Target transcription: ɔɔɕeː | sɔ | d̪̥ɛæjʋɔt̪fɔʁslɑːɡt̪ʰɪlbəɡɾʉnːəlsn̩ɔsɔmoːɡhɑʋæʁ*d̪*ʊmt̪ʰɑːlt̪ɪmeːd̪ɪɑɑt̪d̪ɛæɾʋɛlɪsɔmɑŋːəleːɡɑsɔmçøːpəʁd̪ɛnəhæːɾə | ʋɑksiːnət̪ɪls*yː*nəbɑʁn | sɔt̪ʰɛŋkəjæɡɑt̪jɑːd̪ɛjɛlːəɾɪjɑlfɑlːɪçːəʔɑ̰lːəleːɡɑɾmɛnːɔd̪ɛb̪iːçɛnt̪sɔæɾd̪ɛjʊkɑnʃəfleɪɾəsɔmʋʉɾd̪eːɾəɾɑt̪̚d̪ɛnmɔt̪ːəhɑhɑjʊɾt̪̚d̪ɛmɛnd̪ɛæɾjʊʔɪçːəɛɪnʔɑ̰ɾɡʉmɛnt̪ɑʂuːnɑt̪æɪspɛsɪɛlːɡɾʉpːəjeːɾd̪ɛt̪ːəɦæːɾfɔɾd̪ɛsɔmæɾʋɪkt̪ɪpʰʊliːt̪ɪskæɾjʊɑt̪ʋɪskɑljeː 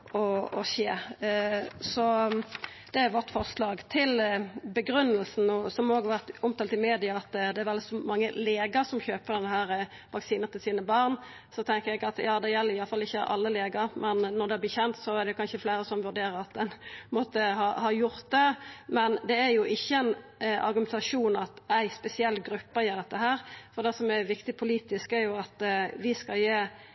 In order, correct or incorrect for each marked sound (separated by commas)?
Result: incorrect, incorrect